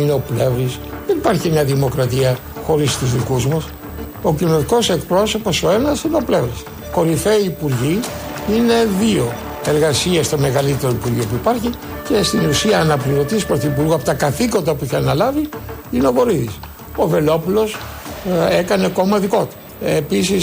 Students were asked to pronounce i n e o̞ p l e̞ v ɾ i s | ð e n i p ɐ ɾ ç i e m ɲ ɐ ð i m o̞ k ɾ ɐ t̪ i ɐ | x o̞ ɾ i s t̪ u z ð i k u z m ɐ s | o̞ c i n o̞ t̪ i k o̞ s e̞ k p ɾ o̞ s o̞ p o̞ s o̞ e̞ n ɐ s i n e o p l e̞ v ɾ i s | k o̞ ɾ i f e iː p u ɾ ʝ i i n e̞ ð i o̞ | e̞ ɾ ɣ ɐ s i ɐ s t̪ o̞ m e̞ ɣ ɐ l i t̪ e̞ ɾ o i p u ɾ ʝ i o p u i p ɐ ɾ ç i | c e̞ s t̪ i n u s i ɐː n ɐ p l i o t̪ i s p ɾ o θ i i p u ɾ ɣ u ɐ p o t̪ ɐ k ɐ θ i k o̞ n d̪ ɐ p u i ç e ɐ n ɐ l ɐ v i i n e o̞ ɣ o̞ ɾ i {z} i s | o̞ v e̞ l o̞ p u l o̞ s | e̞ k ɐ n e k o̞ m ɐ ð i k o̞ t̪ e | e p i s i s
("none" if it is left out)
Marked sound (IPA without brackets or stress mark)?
ð